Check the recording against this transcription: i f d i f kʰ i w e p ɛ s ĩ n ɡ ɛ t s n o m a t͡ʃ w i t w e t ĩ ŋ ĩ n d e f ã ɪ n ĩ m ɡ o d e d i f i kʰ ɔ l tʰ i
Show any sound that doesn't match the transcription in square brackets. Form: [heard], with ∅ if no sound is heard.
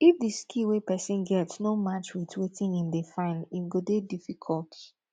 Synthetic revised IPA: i f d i [s] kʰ i w e p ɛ s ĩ n ɡ ɛ t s n o m a t͡ʃ w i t w e t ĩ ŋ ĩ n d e f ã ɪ n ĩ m ɡ o d e d i f i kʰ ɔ l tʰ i